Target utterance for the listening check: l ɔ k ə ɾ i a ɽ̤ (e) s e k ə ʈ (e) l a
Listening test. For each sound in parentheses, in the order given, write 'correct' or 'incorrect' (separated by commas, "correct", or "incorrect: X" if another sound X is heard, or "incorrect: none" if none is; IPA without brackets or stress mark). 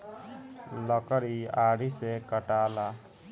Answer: incorrect: i, incorrect: a